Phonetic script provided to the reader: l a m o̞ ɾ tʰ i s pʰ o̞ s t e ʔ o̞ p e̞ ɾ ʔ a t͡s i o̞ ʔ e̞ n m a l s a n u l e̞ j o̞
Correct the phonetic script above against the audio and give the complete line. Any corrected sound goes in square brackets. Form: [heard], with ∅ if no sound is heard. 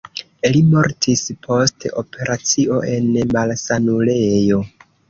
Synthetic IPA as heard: l [i] m o̞ ɾ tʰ i s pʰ o̞ s t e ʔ o̞ p e̞ ɾ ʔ a t͡s i o̞ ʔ e̞ n m a l s a n u l e̞ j o̞